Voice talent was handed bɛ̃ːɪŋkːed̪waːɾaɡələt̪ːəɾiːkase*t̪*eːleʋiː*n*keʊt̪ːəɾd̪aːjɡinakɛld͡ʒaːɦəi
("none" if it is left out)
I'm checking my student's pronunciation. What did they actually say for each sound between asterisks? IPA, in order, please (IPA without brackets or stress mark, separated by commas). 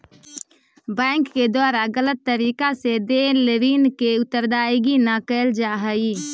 d̪, n